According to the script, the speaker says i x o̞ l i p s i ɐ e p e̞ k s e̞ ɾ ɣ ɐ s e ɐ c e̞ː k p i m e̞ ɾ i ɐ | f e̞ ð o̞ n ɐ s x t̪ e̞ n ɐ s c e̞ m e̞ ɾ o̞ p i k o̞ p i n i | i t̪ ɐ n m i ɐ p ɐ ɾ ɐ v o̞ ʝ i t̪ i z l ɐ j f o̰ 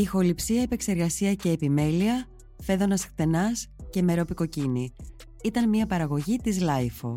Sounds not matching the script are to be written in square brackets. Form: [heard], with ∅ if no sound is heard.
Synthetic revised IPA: i x o̞ l i p s i ɐ e p e̞ k s e̞ ɾ ɣ ɐ s [i] ɐ c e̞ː [∅] p i m e̞ [l] i ɐ | f e̞ ð o̞ n ɐ s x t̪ e̞ n ɐ s c e̞ m e̞ ɾ o̞ p i k o̞ [c] i n i | i t̪ ɐ n m i ɐ p ɐ ɾ ɐ [ɣ] o̞ ʝ i t̪ i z l ɐ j f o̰